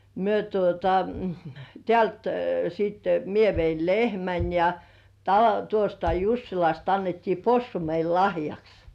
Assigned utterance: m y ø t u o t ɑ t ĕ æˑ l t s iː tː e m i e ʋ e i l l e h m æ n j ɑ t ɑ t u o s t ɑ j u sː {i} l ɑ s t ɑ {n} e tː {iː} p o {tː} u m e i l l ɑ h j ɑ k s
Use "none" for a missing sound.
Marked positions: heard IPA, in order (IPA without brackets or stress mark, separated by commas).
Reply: i, nː, iː, sː